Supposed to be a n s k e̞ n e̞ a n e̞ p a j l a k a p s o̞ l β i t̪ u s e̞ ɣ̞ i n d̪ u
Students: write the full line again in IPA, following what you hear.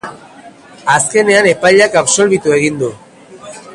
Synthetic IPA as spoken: a s k e̞ n e̞ a n e̞ p a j ʎ a k a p s o̞ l β i t̪ u e̞ ɣ̞ i n d̪ u